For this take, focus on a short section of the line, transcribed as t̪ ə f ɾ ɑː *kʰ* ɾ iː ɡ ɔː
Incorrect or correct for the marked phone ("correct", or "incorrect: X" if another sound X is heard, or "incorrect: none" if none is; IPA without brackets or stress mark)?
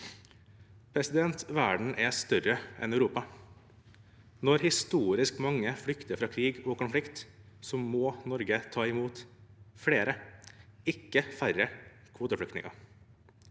correct